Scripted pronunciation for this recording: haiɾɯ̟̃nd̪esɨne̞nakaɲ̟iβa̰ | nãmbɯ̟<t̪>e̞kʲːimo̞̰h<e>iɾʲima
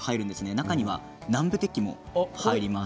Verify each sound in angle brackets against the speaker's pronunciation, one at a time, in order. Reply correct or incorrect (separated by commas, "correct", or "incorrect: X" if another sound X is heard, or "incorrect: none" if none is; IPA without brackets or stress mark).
correct, incorrect: a